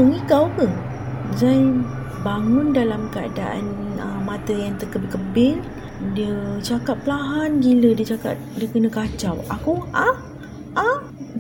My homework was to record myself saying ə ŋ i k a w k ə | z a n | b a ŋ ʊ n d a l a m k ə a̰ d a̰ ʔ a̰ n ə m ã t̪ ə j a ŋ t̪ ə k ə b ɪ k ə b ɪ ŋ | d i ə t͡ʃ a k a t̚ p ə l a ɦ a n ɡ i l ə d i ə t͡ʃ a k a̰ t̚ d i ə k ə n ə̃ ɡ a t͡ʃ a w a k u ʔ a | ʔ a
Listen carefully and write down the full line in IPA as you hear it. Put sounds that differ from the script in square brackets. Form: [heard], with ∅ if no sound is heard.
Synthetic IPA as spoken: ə ŋ i k a w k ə | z a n | b a ŋ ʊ n d a l a m k ə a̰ d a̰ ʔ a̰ n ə m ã t̪ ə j a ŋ t̪ ə k ə b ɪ k ə b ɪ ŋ | d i ə t͡ʃ a k a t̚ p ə l a ɦ a n ɡ i l ə d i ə t͡ʃ a k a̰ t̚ d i ə k ə n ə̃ [k] a t͡ʃ a w a k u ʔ a | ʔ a